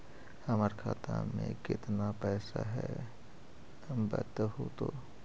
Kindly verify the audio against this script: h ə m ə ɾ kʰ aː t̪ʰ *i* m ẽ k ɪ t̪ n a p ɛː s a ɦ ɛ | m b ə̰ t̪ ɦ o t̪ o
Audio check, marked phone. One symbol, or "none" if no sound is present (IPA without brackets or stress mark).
a